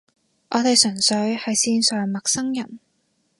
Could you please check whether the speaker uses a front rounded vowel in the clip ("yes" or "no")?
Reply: yes